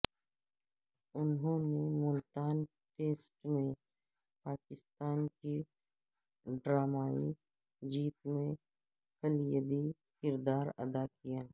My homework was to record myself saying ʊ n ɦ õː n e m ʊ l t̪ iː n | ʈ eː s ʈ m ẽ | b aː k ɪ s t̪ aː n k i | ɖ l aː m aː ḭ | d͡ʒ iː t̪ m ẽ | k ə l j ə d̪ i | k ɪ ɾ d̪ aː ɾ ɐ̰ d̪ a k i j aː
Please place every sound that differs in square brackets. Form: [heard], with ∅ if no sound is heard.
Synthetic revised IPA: ʊ n ɦ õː n e m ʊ l t̪ [aː] n | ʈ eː s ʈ m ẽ | [p] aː k ɪ s t̪ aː n k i | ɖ [ɾ] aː m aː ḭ | d͡ʒ iː t̪ m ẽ | k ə l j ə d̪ i | k ɪ ɾ d̪ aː ɾ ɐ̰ d̪ a k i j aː